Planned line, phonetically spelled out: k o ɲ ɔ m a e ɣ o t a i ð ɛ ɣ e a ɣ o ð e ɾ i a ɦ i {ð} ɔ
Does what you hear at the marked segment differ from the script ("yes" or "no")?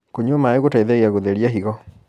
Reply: yes